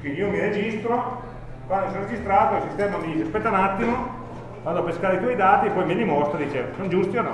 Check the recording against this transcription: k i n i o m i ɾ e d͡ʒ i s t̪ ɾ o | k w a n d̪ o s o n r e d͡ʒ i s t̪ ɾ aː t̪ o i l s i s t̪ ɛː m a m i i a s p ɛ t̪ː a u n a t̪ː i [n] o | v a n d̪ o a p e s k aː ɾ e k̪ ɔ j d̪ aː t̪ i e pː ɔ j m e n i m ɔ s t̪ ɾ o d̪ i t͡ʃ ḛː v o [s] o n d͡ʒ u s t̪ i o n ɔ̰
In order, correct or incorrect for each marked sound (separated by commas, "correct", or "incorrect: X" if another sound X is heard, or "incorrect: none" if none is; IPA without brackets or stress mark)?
incorrect: m, correct